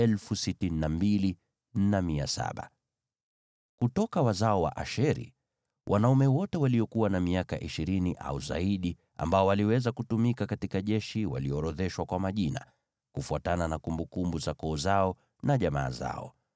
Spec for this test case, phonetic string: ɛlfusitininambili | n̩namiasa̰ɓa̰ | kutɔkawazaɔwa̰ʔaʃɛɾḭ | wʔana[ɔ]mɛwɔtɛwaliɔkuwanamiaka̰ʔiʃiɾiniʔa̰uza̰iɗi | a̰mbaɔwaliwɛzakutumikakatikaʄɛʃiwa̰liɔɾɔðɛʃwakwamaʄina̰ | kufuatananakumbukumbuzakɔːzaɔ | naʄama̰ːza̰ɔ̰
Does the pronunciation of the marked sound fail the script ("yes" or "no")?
yes